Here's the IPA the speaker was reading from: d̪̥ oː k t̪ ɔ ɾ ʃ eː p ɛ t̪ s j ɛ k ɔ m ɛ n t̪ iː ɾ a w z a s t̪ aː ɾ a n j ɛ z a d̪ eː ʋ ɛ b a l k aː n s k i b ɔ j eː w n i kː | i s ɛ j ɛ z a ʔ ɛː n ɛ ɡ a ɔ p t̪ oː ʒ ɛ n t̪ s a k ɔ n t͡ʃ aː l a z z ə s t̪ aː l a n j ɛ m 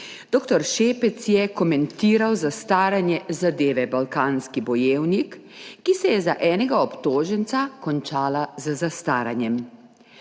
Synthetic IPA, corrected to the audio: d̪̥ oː k t̪ ɔ ɾ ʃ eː p ɛ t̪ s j ɛ k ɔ m ɛ n t̪ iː ɾ a w z a s t̪ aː ɾ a n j ɛ z a d̪ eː ʋ ɛ b a l k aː n s k i b ɔ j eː w n i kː | i s ɛ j ɛ z a ʔ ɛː n ɛ ɡ a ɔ p t̪ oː ʒ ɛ n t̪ s a k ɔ n t͡ʃ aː l a z z a s t̪ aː ɾ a n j ɛ m

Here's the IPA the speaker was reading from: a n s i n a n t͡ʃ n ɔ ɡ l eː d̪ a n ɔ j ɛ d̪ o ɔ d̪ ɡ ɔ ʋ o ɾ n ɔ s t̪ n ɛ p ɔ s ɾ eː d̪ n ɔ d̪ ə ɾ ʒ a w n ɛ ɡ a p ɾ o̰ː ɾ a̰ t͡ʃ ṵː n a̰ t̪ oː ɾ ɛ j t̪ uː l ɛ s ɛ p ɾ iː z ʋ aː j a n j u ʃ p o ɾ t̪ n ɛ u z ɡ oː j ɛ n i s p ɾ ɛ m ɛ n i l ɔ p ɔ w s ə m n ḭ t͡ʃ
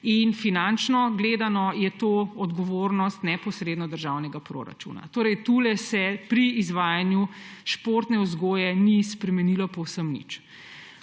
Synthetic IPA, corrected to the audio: i n f i n a n t͡ʃ n ɔ ɡ l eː d̪ a n ɔ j ɛ t̪ o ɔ d̪ ɡ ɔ ʋ o ɾ n ɔ s t̪ n ɛ p ɔ s ɾ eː d̪ n ɔ d̪ ə ɾ ʒ a w n ɛ ɡ a p ɾ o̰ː ɾ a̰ t͡ʃ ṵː n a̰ t̪ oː ɾ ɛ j t̪ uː l ɛ s ɛ p ɾ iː z ʋ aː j a n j u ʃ p o ɾ t̪ n ɛ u z ɡ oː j ɛ n i s p ɾ ɛ m ɛ n i l ɔ p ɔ w s ə m n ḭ t͡ʃ

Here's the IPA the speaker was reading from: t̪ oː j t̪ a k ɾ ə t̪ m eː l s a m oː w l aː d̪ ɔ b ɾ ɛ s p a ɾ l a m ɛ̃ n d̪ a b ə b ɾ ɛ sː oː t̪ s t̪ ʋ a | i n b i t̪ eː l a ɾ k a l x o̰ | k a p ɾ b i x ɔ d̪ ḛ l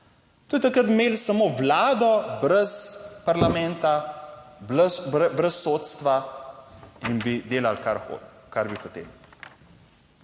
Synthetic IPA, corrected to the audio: t̪ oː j t̪ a k ɾ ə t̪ m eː l s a m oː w l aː d̪ ɔ b ɾ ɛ s p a ɾ l a m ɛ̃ n t̪ a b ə b ɾ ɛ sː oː t̪ s t̪ ʋ a | i n b i d̪ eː l a l k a ɾ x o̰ | k a ɾ b i x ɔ t̪ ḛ l

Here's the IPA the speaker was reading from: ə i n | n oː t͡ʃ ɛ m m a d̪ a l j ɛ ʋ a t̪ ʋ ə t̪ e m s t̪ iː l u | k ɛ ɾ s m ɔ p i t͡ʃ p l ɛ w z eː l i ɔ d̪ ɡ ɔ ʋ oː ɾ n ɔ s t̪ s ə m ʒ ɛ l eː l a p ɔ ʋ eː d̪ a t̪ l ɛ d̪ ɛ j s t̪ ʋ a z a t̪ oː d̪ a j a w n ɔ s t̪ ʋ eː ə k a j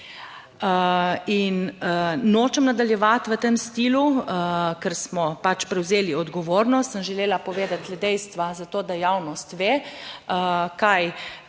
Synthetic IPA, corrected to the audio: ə i n | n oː t͡ʃ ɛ m n a d̪ a l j ɛ ʋ a t̪ ʋ ə t̪ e m s t̪ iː l u | k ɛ ɾ s m ɔ p a t͡ʃ p ɾ ɛ w z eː l i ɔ d̪ ɡ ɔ ʋ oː ɾ n ɔ s t̪ s ə m ʒ ɛ l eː l a p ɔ ʋ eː d̪ a t̪ l ɛ d̪ ɛ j s t̪ ʋ a z a t̪ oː d̪ a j a w n ɔ s t̪ ʋ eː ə k a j

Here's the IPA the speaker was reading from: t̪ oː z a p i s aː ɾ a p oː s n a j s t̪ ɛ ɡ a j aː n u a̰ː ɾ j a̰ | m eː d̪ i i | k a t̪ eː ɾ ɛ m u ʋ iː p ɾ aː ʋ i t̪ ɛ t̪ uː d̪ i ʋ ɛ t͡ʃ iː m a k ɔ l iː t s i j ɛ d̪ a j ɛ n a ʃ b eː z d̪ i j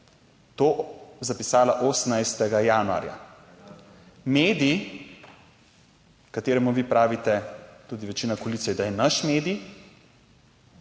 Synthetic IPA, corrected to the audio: t̪ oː z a p i s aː l a ʔ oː s n a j s t̪ ɛ ɡ a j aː n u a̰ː ɾ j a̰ | m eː d̪ i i | k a t̪ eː ɾ ɛ m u ʋ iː p ɾ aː ʋ i t̪ ɛ t̪ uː d̪ i ʋ ɛ t͡ʃ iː n a k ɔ l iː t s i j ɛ d̪ a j ɛ n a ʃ m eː d̪ i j

